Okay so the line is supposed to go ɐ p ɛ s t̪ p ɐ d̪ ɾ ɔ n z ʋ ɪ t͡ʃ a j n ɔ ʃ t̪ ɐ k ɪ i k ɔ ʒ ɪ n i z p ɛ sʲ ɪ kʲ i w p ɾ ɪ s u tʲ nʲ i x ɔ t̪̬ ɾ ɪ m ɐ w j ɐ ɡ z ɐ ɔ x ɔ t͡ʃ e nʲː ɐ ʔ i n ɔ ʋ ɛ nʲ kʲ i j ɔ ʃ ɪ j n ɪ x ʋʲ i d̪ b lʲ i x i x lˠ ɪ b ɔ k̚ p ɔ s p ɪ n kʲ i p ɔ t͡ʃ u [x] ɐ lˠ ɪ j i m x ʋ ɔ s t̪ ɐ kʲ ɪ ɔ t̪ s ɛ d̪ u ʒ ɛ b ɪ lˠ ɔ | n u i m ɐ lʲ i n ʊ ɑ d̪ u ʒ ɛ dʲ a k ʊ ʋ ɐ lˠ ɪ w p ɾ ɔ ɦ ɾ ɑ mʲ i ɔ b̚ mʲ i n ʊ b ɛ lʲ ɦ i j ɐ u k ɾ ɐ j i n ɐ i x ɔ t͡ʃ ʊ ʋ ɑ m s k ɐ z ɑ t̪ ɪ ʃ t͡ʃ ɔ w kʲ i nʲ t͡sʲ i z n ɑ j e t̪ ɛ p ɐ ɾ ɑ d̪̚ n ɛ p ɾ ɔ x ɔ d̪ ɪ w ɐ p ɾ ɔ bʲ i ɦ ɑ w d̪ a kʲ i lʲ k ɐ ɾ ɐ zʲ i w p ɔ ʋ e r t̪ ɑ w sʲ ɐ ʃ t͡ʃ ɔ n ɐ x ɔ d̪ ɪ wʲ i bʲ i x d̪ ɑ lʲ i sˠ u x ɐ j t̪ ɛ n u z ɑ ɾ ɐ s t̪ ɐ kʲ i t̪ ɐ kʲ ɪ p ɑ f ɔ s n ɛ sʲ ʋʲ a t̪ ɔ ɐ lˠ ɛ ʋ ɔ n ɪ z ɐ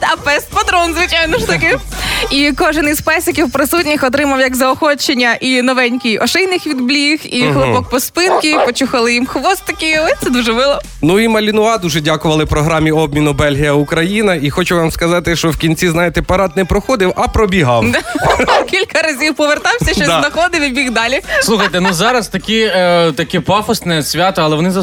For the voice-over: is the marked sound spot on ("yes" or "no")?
yes